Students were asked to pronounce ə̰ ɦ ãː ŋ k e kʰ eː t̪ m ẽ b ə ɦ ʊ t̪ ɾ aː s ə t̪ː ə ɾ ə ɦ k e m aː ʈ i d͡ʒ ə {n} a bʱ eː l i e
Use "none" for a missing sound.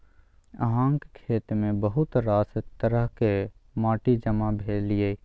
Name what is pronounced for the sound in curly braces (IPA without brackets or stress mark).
m